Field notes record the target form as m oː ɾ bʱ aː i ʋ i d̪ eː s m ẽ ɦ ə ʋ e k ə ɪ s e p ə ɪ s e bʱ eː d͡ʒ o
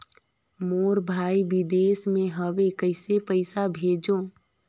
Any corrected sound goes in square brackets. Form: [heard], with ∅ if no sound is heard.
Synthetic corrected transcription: m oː ɾ bʱ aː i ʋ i d̪ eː s m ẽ ɦ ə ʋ e k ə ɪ s e p ə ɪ s [a] bʱ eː d͡ʒ o